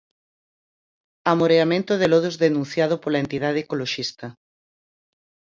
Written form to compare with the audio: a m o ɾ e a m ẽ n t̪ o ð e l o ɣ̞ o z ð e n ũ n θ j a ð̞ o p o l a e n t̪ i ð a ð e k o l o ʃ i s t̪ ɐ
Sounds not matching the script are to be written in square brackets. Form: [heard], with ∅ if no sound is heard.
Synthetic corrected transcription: a m o ɾ e a m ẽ n t̪ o ð e l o [ð̞] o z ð e n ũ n θ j a ð̞ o p o l a e n t̪ i ð a ð e k o l o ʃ i s t̪ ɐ